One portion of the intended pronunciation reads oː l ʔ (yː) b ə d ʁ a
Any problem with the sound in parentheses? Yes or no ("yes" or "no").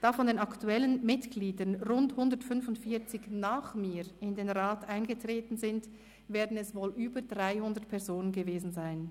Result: no